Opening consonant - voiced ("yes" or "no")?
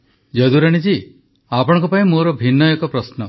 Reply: yes